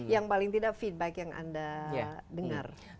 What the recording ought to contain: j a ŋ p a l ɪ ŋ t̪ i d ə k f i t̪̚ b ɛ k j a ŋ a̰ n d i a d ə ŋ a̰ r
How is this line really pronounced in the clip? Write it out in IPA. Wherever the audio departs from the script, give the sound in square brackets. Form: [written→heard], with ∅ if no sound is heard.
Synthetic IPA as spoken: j a ŋ p a l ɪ ŋ t̪ i d [ə→a] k f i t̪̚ b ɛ k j a ŋ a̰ n d [i→a] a d ə ŋ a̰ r